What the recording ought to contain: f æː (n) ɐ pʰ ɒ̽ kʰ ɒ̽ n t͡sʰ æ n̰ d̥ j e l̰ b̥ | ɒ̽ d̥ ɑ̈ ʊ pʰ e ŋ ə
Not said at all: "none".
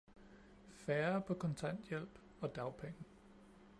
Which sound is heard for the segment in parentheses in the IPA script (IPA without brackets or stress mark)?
none